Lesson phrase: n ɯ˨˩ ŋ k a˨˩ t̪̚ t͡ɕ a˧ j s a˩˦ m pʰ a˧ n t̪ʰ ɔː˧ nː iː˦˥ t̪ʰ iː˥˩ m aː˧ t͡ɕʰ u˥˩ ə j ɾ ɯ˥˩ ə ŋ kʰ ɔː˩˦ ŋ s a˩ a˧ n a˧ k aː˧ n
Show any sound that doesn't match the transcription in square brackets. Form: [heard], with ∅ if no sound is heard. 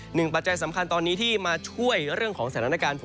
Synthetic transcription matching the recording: n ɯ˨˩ ŋ [p] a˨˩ t̪̚ t͡ɕ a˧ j s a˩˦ m [kʰ] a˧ n [t̪] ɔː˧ nː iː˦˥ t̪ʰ iː˥˩ m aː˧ t͡ɕʰ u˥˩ ə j ɾ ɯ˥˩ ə ŋ kʰ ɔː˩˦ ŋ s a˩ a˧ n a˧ k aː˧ n

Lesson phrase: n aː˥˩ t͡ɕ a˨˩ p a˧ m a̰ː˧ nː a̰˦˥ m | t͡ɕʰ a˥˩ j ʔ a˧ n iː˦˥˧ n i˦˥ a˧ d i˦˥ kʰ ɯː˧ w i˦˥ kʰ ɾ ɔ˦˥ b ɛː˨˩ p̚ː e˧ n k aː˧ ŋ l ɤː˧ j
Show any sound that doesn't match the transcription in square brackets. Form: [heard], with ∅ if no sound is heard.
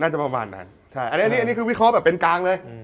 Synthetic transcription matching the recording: n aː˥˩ t͡ɕ a˨˩ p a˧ m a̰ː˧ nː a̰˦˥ [n] | t͡ɕʰ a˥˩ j ʔ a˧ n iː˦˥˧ n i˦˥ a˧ [n] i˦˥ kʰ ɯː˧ w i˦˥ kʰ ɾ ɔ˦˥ b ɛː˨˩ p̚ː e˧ n k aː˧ ŋ l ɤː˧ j

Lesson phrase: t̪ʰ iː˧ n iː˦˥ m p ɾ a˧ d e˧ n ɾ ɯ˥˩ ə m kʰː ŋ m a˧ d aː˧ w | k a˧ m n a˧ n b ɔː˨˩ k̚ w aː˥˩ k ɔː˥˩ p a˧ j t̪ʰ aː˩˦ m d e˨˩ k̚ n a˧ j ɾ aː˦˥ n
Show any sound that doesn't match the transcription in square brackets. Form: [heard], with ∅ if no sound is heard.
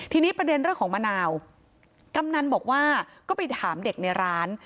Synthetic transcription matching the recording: t̪ʰ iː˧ n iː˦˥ [∅] p ɾ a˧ d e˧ n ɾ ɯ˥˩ ə [ŋ] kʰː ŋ m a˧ [n] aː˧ w | k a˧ m n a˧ n b ɔː˨˩ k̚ w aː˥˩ k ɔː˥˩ p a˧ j t̪ʰ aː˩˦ m d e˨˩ k̚ n a˧ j ɾ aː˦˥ n

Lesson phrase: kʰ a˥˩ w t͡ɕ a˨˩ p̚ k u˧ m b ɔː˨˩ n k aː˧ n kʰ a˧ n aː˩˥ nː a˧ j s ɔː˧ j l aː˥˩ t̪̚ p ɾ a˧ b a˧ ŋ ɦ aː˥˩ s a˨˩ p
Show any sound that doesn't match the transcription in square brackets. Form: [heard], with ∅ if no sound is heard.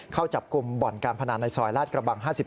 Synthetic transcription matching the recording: kʰ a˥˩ w t͡ɕ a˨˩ p̚ k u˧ m b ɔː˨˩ n k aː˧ n [pʰ] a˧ n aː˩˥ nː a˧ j s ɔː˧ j l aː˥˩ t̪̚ [k] ɾ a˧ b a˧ ŋ ɦ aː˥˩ s [i˨˩] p

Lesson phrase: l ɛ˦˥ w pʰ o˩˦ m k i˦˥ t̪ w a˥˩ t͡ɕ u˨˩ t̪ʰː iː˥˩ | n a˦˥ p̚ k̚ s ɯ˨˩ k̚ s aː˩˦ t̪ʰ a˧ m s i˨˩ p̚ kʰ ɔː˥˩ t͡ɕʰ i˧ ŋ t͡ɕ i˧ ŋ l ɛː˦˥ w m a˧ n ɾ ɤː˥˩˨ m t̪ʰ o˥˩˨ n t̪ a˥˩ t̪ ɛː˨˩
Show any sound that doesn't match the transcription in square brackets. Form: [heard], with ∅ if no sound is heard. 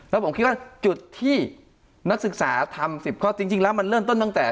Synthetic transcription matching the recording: l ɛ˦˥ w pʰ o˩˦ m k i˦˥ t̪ w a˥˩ t͡ɕ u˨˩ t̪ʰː iː˥˩ | n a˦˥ [∅] k̚ s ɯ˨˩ k̚ s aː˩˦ t̪ʰ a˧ m s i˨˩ p̚ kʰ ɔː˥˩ [t͡ɕ] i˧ ŋ t͡ɕ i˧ ŋ l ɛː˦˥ w m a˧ n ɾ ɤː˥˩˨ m [t̪] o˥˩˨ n t̪ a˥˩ t̪ ɛː˨˩

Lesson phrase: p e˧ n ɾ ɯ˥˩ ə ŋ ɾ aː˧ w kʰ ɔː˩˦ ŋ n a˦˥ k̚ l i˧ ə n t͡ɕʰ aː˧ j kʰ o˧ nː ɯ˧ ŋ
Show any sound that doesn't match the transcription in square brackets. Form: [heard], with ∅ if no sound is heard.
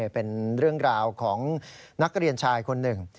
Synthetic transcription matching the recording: p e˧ n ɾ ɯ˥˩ ə ŋ ɾ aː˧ w kʰ ɔː˩˦ ŋ n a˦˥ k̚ [ɾ] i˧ ə n t͡ɕʰ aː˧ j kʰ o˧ nː [ɯ˨˩] ŋ

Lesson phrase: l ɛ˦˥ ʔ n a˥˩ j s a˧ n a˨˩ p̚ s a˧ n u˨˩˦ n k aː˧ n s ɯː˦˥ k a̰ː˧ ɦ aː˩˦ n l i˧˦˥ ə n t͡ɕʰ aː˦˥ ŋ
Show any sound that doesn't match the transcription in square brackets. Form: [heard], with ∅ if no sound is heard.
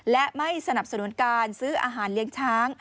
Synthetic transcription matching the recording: l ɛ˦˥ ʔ [m] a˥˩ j s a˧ n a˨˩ p̚ s a˧ n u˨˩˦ n k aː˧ n s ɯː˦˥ [ʔ] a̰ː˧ ɦ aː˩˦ n l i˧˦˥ ə [ŋ] t͡ɕʰ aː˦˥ ŋ

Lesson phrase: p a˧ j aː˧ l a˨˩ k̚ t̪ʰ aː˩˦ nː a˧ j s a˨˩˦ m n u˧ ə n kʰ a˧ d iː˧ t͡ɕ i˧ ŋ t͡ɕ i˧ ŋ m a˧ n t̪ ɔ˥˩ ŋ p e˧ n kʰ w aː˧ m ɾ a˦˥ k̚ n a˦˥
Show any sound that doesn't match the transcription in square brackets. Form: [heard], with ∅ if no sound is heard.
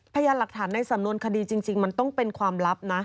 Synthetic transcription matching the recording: [pʰ] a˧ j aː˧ l a˨˩ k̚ t̪ʰ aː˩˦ nː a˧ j s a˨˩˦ m n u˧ ə n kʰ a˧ d iː˧ t͡ɕ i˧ ŋ t͡ɕ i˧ ŋ m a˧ n t̪ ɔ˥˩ ŋ p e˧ n kʰ w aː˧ m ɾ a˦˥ [p̚] n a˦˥

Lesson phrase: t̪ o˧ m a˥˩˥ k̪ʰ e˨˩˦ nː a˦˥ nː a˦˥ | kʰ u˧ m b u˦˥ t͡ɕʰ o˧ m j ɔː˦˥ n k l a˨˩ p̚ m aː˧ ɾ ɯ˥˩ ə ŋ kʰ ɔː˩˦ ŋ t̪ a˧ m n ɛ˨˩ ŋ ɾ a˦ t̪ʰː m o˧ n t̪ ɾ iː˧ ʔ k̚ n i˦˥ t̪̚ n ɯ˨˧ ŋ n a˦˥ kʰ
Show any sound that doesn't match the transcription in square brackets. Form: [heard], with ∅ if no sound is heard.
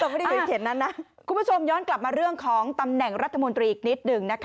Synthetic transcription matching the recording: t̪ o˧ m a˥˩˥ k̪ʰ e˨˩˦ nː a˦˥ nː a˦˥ | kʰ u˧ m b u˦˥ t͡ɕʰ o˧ m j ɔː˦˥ n k l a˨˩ p̚ m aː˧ ɾ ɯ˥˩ ə ŋ kʰ ɔː˩˦ ŋ t̪ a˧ m n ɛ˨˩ ŋ ɾ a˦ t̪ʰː m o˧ n t̪ ɾ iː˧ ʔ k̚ n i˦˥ t̪̚ n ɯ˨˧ ŋ n a˦˥ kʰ

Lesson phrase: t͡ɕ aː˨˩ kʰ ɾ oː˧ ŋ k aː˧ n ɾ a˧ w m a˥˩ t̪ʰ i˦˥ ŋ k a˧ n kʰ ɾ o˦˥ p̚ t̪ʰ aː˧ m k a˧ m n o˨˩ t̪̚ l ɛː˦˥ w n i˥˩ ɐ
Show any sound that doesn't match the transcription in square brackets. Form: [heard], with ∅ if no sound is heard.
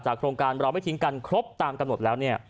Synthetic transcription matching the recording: t͡ɕ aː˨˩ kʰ ɾ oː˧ ŋ k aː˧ n ɾ a˧ w m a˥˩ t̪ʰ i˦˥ ŋ k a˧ n kʰ ɾ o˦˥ p̚ [t̪] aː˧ m k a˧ m n o˨˩ t̪̚ l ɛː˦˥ w n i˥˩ ɐ

